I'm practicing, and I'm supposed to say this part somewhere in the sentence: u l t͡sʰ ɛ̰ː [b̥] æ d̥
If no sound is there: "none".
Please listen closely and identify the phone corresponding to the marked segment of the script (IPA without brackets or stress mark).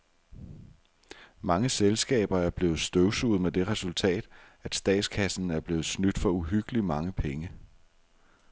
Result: d̥